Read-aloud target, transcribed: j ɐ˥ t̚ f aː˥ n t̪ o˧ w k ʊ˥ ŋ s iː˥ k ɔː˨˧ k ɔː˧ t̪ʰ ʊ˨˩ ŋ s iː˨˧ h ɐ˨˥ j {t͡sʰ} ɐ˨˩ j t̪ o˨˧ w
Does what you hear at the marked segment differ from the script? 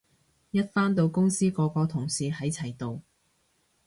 no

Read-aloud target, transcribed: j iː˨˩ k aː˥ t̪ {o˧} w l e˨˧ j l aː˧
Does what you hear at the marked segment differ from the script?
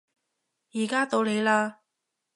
no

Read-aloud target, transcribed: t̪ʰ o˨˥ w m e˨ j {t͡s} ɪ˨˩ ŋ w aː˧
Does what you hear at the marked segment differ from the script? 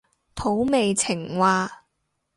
yes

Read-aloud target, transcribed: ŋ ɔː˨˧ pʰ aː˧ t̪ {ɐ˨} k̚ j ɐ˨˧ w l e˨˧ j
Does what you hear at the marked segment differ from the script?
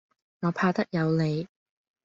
yes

